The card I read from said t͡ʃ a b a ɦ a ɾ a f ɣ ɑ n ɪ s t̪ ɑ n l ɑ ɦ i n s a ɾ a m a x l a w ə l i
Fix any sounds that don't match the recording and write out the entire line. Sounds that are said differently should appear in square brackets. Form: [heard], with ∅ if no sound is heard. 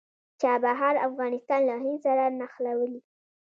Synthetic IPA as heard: t͡ʃ a b a ɦ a ɾ a f ɣ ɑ n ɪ s t̪ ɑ n l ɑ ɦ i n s a ɾ a [n] a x l a w ə l i